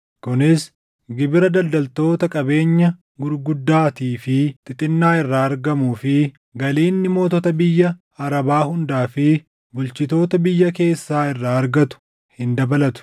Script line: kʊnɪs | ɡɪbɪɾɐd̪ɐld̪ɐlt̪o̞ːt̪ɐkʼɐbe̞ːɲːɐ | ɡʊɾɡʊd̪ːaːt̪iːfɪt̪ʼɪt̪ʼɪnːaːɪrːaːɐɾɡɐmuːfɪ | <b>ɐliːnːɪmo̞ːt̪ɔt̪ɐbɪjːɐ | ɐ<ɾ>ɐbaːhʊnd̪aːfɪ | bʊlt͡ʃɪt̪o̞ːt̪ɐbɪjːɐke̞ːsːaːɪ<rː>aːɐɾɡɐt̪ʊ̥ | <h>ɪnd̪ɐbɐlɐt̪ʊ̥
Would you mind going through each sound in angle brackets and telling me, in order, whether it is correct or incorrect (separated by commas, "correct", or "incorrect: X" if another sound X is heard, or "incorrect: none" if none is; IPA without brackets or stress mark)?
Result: incorrect: ɡ, correct, correct, correct